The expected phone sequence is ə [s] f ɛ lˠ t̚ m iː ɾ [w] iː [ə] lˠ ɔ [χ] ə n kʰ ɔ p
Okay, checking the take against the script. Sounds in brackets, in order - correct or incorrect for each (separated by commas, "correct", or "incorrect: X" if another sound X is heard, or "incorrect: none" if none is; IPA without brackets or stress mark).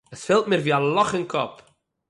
correct, incorrect: v, incorrect: a, correct